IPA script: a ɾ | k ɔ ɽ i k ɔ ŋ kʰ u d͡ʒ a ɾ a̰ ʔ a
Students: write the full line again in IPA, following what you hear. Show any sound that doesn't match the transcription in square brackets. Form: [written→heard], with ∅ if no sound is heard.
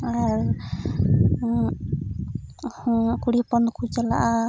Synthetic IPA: a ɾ | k [ɔ→u] ɽ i [k→p] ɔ [ŋ→n] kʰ u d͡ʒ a [ɾ→l] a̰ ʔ a